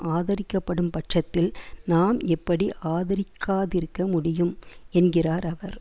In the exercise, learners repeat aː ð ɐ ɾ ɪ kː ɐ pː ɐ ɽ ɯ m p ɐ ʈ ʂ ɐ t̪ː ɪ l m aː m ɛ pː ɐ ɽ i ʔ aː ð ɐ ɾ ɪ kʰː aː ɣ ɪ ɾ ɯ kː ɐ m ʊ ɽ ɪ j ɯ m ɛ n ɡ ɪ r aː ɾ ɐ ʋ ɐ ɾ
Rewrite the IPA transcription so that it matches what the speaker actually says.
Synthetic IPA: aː ð ɐ ɾ ɪ kː ɐ pː ɐ ɽ ɯ m p ɐ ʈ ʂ ɐ t̪ː ɪ l n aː m ɛ pː ɐ ɽ i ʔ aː ð ɐ ɾ ɪ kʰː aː ð ɪ ɾ ɯ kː ɐ m ʊ ɽ ɪ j ɯ m ɛ n ɡ ɪ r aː ɾ ɐ ʋ ɐ ɾ